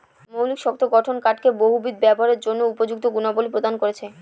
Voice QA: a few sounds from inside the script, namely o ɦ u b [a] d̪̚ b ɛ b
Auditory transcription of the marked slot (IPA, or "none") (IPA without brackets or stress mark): i